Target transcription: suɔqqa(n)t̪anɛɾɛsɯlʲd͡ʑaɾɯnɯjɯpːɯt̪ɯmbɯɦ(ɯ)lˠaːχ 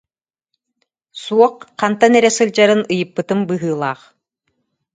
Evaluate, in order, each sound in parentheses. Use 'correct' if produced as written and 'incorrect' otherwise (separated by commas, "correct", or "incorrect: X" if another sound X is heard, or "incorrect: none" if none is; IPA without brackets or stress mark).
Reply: correct, incorrect: ɯː